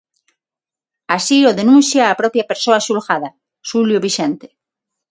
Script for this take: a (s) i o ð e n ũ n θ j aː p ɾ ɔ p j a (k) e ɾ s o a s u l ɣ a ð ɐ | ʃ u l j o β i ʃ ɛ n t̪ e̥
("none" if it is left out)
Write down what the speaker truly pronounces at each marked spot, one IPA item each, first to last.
s, p

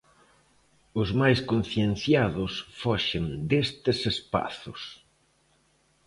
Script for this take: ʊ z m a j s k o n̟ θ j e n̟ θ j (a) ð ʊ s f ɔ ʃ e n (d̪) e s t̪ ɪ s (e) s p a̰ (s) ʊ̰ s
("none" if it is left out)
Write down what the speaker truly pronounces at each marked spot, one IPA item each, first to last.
a, d̪, e, θ

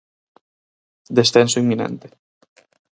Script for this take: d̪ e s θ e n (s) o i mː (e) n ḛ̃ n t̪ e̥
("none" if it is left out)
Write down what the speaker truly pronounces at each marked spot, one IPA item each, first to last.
s, i

